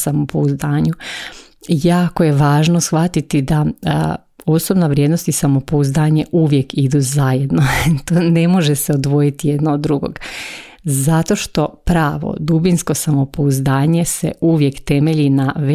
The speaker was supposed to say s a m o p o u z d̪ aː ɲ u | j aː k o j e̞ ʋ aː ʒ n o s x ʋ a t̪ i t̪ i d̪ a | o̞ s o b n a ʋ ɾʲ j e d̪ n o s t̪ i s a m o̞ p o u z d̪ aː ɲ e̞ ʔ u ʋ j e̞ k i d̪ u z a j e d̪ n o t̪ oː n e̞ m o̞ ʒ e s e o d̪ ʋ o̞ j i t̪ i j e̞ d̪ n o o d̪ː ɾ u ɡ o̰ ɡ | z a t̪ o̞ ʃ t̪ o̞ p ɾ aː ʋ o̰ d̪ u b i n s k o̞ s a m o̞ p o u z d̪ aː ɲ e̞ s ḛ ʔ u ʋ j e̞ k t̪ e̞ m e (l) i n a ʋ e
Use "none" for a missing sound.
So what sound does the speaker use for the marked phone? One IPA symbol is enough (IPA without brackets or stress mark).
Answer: ʎ